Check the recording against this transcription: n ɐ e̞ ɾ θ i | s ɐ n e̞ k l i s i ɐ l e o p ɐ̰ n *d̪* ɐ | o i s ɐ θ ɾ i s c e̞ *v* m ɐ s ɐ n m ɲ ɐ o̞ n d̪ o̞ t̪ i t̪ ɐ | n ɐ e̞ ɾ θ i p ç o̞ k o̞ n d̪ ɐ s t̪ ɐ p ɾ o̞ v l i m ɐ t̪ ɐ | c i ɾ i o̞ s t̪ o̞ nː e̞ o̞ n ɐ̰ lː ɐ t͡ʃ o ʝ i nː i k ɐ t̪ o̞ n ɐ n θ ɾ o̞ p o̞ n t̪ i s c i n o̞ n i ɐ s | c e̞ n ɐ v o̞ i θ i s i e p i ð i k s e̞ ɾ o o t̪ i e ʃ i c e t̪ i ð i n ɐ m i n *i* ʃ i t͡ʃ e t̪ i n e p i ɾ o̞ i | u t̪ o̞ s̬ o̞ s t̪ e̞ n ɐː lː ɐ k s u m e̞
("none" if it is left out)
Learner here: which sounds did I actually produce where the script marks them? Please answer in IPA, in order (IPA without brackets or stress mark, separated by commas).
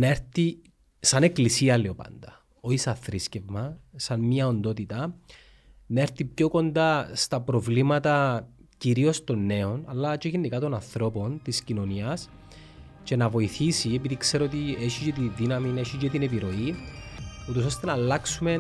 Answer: d̪, v, e